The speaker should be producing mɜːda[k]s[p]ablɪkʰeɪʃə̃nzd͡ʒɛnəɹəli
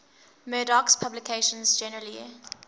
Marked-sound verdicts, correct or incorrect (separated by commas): correct, incorrect